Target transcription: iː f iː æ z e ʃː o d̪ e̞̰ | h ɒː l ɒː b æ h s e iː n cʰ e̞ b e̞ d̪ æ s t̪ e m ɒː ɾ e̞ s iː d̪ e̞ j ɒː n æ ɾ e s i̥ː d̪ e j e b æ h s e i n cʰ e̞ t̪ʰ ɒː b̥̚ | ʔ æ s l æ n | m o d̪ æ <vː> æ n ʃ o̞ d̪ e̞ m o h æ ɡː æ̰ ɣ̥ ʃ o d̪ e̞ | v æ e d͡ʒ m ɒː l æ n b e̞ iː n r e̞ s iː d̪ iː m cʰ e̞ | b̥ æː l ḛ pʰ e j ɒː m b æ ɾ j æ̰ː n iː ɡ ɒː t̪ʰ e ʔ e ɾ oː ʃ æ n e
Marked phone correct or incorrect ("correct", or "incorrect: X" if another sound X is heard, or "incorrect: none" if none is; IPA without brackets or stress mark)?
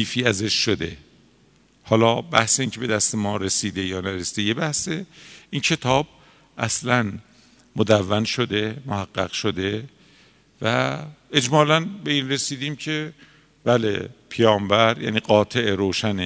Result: correct